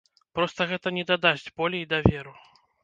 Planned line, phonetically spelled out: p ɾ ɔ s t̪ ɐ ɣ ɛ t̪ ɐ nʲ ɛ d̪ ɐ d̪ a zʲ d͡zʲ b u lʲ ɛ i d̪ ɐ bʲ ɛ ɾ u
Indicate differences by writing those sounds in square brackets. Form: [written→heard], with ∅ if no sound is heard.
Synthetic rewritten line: p ɾ ɔ s t̪ ɐ ɣ ɛ t̪ ɐ nʲ ɛ d̪ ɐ d̪ a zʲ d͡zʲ b [u→ɔ] lʲ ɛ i d̪ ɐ [bʲ→vʲ] ɛ ɾ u